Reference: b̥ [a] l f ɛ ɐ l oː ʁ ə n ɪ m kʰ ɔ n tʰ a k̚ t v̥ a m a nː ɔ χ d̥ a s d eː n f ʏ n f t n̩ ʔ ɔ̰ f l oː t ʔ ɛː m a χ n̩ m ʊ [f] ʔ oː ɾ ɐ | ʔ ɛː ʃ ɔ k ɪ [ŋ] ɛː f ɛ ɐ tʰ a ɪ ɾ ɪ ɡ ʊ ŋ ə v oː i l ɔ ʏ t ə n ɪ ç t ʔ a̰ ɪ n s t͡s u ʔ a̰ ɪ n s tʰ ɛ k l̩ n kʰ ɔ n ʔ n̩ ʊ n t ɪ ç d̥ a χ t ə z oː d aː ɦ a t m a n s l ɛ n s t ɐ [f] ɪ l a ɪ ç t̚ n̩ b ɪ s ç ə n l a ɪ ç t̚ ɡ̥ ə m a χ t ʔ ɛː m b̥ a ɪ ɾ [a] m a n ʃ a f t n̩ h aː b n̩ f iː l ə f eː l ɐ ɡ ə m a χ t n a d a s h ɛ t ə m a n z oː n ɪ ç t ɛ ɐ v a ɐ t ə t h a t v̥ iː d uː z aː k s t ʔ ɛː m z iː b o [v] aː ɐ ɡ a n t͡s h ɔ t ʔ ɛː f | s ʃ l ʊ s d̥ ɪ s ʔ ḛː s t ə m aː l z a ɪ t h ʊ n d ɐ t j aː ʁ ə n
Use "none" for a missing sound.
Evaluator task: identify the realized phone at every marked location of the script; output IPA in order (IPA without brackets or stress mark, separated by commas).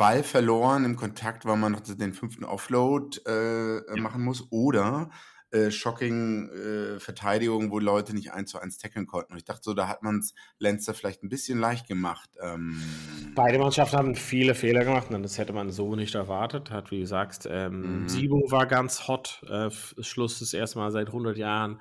a, s, ŋ, f, ə, v